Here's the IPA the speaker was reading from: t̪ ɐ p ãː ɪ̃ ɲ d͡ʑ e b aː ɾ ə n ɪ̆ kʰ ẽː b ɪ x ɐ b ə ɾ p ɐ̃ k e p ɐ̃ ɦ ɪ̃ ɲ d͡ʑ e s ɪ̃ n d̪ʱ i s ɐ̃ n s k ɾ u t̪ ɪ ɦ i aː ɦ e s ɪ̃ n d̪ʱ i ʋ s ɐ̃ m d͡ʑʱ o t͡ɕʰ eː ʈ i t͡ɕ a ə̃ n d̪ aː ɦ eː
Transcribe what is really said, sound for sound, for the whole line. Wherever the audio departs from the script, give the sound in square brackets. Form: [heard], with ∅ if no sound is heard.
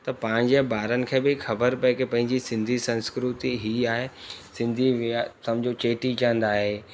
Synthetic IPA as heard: t̪ ɐ p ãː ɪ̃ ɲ d͡ʑ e b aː ɾ ə n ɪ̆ kʰ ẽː b ɪ x ɐ b ə ɾ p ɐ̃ k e p ɐ̃ ɦ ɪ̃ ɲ d͡ʑ [i] s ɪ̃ n d̪ʱ i s ɐ̃ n s k ɾ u t̪ [i] ɦ i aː ɦ e s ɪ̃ n d̪ʱ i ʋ s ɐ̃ m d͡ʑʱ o [t͡ɕ] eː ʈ i t͡ɕ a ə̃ n d̪ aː ɦ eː